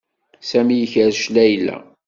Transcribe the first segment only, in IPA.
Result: s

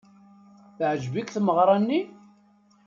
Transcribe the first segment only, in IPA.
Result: θ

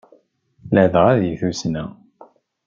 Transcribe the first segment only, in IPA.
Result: l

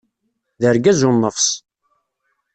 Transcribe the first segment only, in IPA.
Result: ð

